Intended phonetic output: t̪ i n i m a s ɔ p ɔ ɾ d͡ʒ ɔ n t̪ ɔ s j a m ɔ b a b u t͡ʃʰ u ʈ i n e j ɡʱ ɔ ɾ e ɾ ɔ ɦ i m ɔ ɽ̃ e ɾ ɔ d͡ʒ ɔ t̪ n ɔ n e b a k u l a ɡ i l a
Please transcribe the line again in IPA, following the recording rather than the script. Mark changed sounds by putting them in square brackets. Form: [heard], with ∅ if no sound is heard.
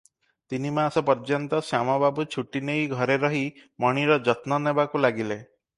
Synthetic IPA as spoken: t̪ i n i m a s ɔ p ɔ ɾ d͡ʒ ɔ n t̪ ɔ s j a m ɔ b a b u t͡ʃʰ u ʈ i n e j ɡʱ ɔ ɾ e ɾ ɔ ɦ i m ɔ ɽ̃ [i] ɾ ɔ d͡ʒ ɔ t̪ n ɔ n e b a k u l a ɡ i l [e]